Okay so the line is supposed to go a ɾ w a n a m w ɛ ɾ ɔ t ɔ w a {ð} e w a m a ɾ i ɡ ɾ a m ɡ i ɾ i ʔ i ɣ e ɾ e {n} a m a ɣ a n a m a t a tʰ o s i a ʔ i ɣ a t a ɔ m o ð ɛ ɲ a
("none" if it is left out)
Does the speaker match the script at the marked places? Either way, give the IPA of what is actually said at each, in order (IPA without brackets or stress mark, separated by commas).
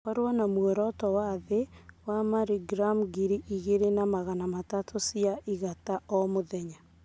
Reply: ð, n